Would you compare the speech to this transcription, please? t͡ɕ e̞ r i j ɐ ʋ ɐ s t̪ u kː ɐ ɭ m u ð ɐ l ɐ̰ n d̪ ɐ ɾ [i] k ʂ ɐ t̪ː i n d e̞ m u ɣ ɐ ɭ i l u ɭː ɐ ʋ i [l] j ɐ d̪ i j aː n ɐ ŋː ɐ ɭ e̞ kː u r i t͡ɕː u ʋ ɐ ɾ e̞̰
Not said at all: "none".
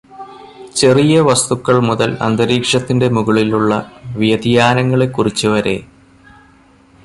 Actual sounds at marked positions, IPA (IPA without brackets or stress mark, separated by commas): iː, none